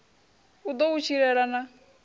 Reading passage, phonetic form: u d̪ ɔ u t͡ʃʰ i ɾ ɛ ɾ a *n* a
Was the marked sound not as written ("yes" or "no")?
no